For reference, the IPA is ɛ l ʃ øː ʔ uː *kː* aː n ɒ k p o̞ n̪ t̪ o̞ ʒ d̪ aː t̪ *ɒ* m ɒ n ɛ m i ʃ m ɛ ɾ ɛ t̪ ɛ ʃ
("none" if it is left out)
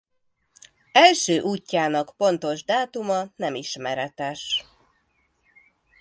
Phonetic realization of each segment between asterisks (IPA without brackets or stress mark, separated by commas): cː, u